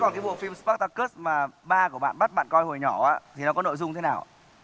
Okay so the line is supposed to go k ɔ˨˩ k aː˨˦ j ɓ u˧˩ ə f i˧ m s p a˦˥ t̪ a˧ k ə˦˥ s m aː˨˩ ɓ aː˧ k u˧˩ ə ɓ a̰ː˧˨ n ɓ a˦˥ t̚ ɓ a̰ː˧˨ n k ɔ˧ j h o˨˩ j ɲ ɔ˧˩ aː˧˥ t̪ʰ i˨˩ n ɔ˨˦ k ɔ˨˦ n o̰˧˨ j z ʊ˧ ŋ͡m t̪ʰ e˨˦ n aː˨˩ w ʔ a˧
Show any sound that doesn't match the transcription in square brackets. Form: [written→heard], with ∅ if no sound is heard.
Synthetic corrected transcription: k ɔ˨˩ k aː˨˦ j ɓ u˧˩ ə f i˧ m s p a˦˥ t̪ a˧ k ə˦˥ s m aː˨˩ ɓ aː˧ k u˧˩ ə ɓ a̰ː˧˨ n ɓ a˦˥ t̚ ɓ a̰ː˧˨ n k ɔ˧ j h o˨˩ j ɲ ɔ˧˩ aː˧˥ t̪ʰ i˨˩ n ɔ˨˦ k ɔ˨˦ n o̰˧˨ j z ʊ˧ ŋ͡m t̪ʰ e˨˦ n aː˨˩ w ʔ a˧